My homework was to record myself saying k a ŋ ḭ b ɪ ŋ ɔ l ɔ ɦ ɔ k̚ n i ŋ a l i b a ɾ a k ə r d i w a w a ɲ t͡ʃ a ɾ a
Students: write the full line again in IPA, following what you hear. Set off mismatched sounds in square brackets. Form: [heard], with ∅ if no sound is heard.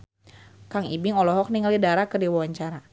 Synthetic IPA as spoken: k a ŋ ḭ b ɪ ŋ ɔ l ɔ ɦ ɔ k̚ n i ŋ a l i [d] a ɾ a k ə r d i w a w a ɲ t͡ʃ a ɾ a

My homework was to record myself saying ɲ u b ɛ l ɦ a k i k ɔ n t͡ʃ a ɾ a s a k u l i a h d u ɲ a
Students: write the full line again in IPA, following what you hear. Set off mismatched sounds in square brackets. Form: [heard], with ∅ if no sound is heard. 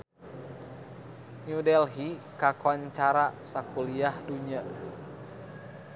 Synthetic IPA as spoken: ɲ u [d] ɛ l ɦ [i] k [a] k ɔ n t͡ʃ a ɾ a s a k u l i a h d u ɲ a

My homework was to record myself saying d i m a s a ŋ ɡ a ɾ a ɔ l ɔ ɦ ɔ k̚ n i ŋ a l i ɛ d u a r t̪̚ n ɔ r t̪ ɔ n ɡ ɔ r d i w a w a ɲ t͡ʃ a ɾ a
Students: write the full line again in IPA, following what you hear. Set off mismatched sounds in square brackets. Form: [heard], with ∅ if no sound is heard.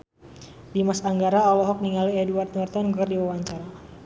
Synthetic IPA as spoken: d i m a s a ŋ ɡ a ɾ a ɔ l ɔ ɦ ɔ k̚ n i ŋ a l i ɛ d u a r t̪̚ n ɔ r t̪ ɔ n ɡ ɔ r d i w a w a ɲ t͡ʃ a ɾ a

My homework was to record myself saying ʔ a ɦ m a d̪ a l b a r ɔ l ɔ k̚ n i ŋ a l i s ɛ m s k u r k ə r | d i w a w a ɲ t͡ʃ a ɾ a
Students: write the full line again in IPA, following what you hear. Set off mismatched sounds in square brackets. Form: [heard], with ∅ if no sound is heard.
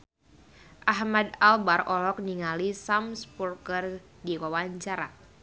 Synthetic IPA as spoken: ʔ a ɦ m a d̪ a l b a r ɔ l ɔ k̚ n i ŋ a l i s [a] m s [p] u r k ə r | d i w a w a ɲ t͡ʃ a ɾ a

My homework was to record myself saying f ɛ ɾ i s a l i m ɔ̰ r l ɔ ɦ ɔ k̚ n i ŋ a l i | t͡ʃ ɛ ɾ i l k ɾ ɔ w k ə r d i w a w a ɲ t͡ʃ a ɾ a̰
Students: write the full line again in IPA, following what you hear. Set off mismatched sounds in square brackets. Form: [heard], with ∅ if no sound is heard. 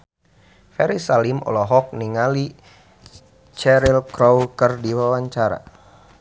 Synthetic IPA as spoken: f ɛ ɾ i s a l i m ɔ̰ [∅] l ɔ ɦ ɔ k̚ n i ŋ a l i | t͡ʃ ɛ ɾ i l k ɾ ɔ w k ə r d i w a w a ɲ t͡ʃ a ɾ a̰

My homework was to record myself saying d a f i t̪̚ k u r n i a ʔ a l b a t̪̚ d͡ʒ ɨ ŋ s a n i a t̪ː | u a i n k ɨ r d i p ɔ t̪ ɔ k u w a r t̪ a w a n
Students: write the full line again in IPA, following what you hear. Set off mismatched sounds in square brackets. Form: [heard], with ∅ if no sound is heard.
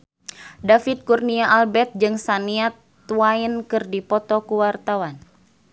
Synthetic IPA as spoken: d a f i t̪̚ k u r n i a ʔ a l b [ɛ] t̪̚ d͡ʒ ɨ ŋ s a n i a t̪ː | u a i n k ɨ r d i p ɔ t̪ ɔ k u w a r t̪ a w a n

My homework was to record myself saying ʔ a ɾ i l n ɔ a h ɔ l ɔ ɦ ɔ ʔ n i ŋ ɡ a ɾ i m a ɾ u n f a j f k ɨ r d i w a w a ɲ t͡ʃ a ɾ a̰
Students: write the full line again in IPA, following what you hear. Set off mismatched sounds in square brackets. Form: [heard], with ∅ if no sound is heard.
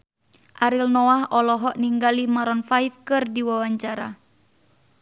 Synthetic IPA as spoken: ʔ a ɾ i l n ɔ a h ɔ l ɔ ɦ ɔ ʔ n i ŋ ɡ a [l] i m a ɾ [ɔ] n f a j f k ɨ r d i w a w a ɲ t͡ʃ a ɾ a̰

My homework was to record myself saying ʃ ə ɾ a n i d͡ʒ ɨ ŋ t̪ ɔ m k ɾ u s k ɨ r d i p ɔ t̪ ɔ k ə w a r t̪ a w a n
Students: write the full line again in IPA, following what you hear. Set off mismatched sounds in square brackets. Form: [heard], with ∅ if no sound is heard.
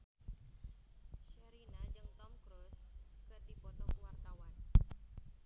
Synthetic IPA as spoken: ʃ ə ɾ [i] n [a] d͡ʒ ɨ ŋ t̪ ɔ m k ɾ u s k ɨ r d i p ɔ t̪ ɔ k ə w a r t̪ a w a n

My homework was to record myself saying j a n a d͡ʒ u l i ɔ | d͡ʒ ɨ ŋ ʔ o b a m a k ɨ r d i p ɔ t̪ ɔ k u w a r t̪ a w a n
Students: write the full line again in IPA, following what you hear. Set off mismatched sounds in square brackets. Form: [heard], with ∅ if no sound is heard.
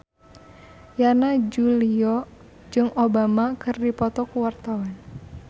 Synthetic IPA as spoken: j a n a d͡ʒ u l i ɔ | d͡ʒ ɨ ŋ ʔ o b a m a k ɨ r d i p ɔ t̪ ɔ k u w a r t̪ a w a n

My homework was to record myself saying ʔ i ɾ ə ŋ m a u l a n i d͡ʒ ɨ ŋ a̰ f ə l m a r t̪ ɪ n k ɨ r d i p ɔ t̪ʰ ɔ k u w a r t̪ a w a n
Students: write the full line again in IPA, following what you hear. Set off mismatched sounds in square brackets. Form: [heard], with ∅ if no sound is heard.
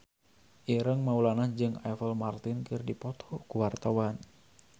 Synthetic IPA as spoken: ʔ i ɾ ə ŋ m a u l a n [a] d͡ʒ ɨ ŋ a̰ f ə l m a r t̪ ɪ n k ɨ r d i p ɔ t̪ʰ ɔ k u w a r t̪ a w a n

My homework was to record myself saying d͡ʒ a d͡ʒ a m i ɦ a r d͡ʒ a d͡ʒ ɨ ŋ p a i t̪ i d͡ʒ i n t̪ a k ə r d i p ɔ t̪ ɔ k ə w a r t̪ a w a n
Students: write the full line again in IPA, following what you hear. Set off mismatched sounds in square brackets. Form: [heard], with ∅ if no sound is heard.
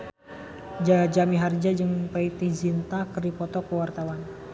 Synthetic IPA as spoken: d͡ʒ a d͡ʒ a m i ɦ a r d͡ʒ a d͡ʒ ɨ ŋ p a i t̪ i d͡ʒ i n t̪ a k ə r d i p ɔ t̪ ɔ k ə w a r t̪ a w a n

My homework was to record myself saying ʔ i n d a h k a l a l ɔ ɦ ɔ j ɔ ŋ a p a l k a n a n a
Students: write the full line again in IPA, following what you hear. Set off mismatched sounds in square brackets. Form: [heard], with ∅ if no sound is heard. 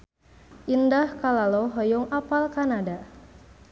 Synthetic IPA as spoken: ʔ i n d a h k a l a l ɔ ɦ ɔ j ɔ ŋ a p a l k a n a [d] a

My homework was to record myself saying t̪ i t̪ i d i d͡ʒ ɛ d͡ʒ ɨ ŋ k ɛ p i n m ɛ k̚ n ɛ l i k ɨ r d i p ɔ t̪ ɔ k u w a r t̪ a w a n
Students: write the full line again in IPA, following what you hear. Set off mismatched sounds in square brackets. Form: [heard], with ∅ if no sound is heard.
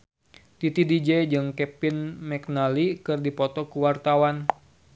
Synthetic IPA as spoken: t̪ i t̪ i d i d͡ʒ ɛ d͡ʒ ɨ ŋ k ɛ p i n m ɛ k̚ n [a] l i k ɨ r d i p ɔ t̪ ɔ k u w a r t̪ a w a n

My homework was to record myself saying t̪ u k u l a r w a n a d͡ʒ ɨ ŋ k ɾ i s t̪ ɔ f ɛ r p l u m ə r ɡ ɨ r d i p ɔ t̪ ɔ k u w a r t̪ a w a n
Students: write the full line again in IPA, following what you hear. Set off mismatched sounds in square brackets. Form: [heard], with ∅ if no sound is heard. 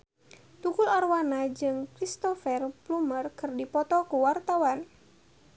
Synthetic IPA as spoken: t̪ u k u l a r w a n a d͡ʒ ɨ ŋ k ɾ i s t̪ ɔ f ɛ r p l u m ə r [k] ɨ r d i p ɔ t̪ ɔ k u w a r t̪ a w a n

